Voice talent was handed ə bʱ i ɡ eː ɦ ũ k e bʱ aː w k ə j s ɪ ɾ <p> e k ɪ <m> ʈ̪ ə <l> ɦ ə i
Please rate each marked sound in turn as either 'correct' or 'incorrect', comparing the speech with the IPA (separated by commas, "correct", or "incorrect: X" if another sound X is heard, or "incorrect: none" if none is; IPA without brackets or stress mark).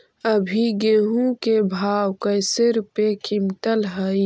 correct, correct, correct